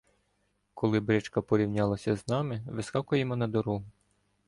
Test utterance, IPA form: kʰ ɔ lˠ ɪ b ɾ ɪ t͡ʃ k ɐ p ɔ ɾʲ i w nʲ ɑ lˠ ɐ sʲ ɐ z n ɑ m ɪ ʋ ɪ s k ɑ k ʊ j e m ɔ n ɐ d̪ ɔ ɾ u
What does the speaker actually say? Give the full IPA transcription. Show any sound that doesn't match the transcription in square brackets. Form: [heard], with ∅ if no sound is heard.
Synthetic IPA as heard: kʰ ɔ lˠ ɪ b ɾ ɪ t͡ʃ k ɐ p ɔ ɾʲ i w nʲ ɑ lˠ ɐ sʲ ɐ z n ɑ m ɪ ʋ ɪ s k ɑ k ʊ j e m ɔ n ɐ d̪ ɔ ɾ u